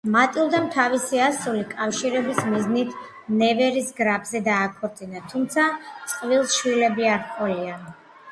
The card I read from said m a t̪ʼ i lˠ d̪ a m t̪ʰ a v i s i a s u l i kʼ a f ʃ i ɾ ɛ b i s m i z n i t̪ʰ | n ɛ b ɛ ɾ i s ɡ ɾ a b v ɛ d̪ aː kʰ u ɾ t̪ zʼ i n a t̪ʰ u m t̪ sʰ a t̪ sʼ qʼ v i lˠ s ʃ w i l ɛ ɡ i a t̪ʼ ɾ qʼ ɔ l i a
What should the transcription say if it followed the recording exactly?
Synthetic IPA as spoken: m a t̪ʼ i lˠ d̪ a m t̪ʰ a v i s i a s u l i kʼ a f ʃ i ɾ ɛ b i s m i z n i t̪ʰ | n ɛ v ɛ ɾ i s ɡ ɾ a b z ɛ d̪ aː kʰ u ɾ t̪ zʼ i n a t̪ʰ u m t̪ sʰ a t̪ sʼ qʼ v i lˠ s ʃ w i l ɛ b i a ɾ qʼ ɔ l i a